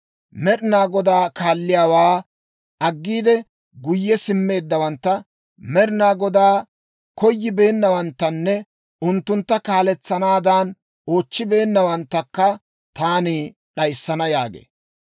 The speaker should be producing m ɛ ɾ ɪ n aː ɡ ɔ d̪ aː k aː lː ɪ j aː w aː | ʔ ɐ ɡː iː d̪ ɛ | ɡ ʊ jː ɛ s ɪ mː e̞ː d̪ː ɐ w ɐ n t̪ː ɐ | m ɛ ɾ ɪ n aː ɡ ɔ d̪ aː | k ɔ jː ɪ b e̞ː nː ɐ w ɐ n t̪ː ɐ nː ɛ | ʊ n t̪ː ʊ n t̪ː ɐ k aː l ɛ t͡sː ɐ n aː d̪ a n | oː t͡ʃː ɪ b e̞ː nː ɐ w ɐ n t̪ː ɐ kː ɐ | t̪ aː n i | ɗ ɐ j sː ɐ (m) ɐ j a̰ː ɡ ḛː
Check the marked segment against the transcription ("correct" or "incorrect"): incorrect